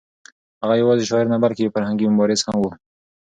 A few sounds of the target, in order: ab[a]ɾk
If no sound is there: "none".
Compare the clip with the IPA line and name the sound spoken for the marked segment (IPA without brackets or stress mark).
a